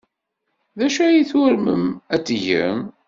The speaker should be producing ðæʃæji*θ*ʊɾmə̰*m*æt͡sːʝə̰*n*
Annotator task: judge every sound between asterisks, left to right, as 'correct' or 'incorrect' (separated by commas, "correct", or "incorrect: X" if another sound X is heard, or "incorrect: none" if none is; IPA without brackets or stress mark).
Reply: correct, correct, incorrect: m